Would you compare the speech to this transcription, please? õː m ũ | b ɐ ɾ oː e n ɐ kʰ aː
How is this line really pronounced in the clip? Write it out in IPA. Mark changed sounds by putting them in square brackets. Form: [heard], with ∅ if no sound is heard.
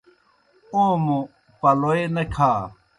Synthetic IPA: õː m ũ | [p] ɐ [l] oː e n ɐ kʰ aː